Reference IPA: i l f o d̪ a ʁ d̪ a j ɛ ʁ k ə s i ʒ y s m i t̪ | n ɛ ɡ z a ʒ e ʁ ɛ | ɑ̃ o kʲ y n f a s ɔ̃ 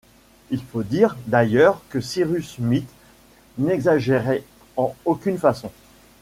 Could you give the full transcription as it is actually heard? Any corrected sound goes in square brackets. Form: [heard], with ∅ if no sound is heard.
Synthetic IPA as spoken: i l f o d̪ [i] ʁ d̪ a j [œ] ʁ k ə s i [ʁ] y s m i t̪ | n ɛ ɡ z a ʒ e ʁ ɛ | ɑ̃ o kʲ y n f a s ɔ̃